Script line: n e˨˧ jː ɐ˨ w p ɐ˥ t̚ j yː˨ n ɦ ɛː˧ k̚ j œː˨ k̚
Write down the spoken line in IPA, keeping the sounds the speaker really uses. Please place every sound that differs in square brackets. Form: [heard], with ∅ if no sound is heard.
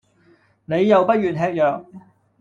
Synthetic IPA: n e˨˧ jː ɐ˨ w p ɐ˥ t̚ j yː˨ n ɦ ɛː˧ k̚ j œː˨ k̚